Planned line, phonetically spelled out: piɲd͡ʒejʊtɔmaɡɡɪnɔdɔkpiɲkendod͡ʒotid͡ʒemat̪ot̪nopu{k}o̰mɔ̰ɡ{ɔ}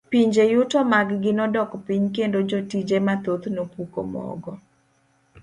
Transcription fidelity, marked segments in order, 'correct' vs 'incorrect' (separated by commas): correct, correct